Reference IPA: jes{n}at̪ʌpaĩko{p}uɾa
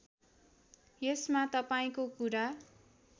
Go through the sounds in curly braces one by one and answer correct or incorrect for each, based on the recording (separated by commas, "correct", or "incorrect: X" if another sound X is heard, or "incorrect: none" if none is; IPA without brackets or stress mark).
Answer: incorrect: m, incorrect: k